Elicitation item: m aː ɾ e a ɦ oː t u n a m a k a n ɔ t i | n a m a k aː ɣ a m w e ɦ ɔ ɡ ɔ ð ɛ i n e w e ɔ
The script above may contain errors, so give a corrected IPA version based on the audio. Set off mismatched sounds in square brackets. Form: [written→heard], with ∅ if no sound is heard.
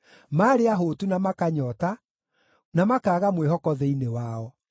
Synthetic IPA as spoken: m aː ɾ e a ɦ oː t u n a m a k a [n→ɲ] ɔ t [i→a] | n a m a k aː ɣ a m w e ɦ ɔ [ɡ→k] ɔ ð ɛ i n e w [e→a] ɔ